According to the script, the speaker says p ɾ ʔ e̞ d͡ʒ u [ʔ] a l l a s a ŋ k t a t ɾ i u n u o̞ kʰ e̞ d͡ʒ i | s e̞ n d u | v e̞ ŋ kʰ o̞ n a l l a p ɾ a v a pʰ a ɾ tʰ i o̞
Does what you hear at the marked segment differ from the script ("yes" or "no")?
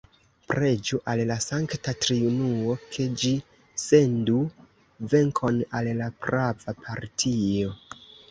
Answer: no